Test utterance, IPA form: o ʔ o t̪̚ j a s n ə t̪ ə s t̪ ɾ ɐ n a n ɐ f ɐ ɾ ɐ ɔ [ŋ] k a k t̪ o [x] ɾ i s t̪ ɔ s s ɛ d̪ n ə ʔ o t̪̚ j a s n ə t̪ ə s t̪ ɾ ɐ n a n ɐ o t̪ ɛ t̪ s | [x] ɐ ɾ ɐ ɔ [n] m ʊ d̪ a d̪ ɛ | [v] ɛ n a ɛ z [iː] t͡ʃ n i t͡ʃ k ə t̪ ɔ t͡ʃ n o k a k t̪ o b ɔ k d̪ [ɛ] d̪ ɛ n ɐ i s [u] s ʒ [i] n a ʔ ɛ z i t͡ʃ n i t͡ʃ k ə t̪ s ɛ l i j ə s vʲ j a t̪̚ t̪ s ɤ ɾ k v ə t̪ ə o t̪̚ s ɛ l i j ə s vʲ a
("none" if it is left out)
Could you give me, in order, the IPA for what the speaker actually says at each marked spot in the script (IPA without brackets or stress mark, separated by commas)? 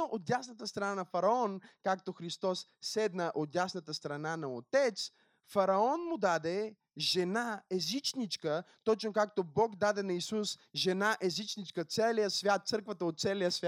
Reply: n, x, f, n, ʒ, i, a, u, ɛ